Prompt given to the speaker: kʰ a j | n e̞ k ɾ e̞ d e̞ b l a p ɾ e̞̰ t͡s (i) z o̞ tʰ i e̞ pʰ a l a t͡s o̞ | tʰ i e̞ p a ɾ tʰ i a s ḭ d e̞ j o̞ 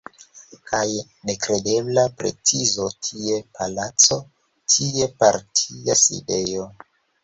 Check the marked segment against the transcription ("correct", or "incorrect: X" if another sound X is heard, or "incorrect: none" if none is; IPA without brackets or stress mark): correct